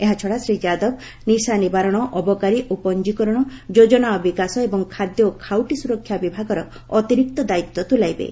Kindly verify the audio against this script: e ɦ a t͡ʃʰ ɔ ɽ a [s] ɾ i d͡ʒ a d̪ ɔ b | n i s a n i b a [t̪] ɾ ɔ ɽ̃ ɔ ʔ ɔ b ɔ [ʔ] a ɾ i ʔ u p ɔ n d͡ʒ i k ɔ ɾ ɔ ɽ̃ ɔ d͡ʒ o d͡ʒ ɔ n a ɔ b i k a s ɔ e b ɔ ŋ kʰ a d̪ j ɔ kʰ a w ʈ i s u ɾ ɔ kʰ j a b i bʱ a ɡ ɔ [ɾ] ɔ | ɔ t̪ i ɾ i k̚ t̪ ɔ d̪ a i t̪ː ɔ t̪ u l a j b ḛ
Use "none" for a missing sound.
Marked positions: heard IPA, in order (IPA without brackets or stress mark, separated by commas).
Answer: s, none, k, ɾ